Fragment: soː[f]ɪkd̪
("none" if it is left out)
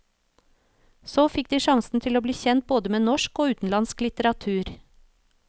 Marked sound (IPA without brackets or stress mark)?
f